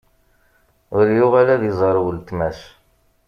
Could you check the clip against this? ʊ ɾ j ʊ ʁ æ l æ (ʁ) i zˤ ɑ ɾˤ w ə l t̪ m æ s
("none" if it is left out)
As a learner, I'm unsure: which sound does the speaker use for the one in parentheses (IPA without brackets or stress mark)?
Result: ð